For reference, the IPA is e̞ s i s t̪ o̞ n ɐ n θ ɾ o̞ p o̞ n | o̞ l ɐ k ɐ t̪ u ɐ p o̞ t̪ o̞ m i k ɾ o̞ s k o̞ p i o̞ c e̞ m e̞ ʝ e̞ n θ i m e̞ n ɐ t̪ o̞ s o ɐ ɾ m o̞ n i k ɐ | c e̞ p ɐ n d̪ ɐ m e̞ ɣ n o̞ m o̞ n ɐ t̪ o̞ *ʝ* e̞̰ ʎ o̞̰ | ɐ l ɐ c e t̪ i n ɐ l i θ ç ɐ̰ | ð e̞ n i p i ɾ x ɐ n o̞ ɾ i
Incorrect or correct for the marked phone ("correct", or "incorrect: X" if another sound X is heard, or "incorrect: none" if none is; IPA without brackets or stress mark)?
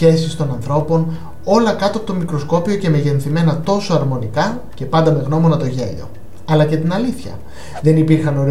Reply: correct